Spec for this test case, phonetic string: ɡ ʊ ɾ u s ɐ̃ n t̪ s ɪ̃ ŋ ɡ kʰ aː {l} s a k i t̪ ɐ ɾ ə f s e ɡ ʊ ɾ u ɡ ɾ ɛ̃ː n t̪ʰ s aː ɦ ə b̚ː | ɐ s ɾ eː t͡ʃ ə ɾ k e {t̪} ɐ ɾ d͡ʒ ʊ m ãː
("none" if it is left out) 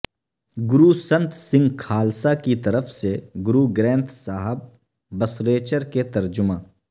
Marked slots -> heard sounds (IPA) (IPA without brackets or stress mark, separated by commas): l, t̪